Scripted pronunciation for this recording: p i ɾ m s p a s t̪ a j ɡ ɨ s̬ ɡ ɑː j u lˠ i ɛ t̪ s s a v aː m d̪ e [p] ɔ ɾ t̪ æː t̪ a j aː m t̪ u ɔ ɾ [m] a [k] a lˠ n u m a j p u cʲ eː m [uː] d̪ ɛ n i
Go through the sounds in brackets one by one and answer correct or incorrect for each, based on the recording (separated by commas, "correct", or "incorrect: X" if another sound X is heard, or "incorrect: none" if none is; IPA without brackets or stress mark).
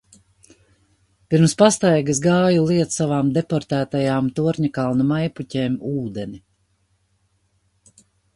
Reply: correct, incorrect: ɲ, correct, correct